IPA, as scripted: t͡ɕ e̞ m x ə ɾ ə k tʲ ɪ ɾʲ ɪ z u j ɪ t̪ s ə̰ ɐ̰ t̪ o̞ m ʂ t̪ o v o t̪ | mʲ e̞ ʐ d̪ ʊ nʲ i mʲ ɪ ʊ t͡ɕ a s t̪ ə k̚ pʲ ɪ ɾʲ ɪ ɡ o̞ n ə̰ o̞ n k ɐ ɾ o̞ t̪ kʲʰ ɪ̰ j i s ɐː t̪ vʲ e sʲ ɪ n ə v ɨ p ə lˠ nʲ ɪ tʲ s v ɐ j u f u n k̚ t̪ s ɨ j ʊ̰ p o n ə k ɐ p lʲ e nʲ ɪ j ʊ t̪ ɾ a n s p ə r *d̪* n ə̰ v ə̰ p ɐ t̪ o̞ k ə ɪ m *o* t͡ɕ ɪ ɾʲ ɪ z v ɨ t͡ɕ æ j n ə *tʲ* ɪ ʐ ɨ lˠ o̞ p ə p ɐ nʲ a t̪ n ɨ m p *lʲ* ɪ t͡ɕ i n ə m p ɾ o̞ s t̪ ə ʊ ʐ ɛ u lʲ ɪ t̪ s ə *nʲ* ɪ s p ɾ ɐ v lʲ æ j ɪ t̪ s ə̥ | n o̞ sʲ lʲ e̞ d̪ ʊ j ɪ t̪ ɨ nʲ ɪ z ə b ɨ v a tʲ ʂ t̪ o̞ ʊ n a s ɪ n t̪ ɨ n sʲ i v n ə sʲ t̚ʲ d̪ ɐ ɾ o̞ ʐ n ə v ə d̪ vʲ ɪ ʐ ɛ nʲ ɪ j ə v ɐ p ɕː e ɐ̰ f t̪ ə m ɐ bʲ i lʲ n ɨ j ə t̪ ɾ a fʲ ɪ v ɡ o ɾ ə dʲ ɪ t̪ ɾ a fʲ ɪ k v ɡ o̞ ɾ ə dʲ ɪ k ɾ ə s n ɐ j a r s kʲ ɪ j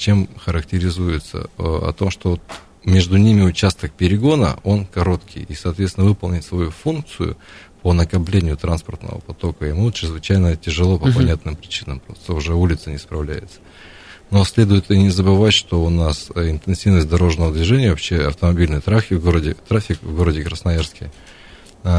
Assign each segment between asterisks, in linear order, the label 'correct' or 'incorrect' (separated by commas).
incorrect, incorrect, correct, incorrect, correct